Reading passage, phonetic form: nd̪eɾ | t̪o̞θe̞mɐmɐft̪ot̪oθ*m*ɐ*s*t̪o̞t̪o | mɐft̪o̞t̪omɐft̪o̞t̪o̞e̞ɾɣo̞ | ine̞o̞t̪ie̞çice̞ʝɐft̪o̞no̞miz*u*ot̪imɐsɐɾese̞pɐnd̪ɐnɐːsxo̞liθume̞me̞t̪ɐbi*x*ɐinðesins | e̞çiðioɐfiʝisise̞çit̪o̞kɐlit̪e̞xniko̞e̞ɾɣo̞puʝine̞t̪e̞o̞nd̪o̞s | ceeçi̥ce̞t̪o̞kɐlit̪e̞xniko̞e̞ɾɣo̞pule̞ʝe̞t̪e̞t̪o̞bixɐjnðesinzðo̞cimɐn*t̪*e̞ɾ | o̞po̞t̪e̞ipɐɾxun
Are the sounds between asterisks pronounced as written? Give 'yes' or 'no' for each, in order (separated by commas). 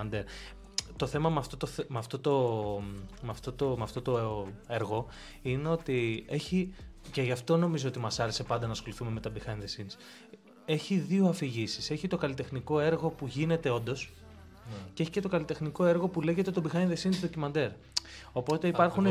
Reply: yes, no, no, yes, no